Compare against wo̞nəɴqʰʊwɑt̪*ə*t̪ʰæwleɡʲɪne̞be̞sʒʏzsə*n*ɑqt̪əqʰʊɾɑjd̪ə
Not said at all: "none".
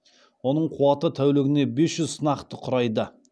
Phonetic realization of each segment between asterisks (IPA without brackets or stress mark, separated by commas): ə, n